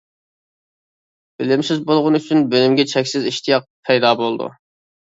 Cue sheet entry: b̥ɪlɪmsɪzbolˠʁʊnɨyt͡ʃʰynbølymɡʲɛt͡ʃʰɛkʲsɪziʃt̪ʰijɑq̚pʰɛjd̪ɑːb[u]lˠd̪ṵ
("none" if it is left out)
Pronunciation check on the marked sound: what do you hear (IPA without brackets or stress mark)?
o